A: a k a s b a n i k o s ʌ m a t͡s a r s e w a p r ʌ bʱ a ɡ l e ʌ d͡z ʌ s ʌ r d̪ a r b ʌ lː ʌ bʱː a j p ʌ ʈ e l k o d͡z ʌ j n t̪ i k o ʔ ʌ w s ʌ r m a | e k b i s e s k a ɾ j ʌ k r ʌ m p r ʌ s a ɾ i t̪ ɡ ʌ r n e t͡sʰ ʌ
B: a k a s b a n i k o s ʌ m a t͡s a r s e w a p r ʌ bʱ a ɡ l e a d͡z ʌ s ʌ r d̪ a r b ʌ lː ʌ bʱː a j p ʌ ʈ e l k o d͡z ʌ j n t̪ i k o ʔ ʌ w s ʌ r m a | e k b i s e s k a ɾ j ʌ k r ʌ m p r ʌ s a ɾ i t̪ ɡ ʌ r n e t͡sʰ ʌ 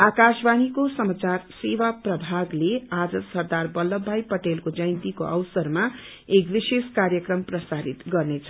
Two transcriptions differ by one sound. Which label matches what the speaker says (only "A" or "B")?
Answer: B